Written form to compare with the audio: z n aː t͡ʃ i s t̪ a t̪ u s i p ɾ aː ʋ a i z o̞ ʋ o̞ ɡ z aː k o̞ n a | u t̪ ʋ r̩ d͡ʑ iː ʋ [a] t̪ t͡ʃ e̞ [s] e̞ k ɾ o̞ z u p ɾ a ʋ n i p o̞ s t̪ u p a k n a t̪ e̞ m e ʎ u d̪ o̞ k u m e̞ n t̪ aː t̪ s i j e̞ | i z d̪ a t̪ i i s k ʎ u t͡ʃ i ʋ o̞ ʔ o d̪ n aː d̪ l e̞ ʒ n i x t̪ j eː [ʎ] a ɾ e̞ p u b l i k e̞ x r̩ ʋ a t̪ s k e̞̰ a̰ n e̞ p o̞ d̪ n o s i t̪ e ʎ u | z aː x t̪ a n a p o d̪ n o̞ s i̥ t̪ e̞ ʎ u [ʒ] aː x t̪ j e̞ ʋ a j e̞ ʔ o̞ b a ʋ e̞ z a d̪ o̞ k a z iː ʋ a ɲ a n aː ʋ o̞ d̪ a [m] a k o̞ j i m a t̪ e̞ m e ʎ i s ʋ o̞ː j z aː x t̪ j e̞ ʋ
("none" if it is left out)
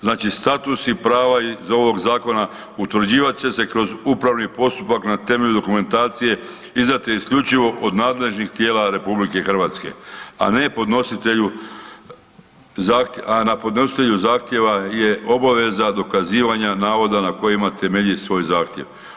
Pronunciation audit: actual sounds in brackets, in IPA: a, s, l, z, n

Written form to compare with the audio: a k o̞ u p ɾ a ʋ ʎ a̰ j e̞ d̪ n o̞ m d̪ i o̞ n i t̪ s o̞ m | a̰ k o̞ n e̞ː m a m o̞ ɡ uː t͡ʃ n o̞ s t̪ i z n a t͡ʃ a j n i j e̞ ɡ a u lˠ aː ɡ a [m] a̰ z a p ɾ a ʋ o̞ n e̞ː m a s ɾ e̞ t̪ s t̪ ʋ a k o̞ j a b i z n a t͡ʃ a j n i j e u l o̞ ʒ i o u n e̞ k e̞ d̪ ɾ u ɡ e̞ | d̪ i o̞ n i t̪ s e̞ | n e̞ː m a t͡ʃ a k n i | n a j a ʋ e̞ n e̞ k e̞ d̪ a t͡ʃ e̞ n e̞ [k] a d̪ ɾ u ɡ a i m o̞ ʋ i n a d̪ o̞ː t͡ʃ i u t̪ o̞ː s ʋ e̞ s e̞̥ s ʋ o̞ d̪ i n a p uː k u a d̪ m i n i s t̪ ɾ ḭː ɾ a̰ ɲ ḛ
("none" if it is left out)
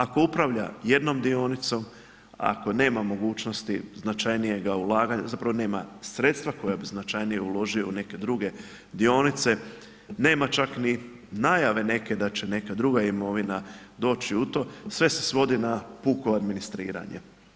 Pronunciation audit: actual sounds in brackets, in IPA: ɲ, k

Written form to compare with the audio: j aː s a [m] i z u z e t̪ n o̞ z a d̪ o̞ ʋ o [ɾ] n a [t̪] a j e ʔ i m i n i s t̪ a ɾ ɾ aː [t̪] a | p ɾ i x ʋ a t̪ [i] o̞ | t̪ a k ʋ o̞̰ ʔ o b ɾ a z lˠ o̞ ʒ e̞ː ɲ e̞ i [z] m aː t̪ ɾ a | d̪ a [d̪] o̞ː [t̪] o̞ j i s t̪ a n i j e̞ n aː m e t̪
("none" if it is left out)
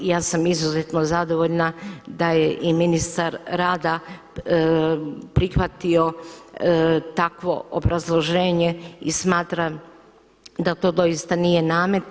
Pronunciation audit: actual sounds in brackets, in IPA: m, ʎ, d̪, d̪, i, s, t̪, d̪

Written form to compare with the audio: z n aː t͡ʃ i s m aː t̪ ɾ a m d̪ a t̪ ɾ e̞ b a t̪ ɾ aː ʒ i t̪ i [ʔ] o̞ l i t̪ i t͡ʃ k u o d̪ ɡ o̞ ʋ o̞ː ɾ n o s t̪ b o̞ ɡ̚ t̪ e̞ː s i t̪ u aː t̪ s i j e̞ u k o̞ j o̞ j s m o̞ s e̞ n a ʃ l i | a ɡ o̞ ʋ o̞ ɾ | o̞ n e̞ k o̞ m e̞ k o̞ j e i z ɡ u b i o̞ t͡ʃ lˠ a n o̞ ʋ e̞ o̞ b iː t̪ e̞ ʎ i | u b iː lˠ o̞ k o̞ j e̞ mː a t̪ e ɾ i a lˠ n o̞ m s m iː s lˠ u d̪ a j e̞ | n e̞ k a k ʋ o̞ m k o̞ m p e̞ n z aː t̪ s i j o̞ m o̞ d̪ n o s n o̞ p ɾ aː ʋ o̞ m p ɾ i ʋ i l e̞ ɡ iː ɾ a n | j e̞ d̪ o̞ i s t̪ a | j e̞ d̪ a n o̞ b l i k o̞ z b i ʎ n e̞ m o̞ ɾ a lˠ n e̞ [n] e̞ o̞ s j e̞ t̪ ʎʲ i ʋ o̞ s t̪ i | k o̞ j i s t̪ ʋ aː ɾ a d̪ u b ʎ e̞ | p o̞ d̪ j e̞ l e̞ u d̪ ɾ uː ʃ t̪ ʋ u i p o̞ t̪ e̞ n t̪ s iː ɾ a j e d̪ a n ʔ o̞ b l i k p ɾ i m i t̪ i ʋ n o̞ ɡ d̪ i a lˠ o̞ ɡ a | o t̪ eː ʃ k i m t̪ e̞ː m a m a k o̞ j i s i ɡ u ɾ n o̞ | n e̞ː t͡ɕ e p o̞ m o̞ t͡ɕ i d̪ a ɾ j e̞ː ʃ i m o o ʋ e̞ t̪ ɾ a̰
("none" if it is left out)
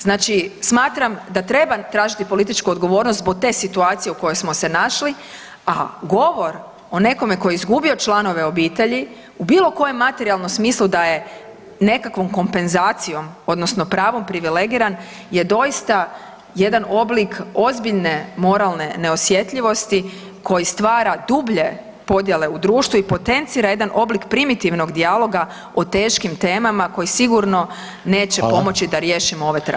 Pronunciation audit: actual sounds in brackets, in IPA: p, n

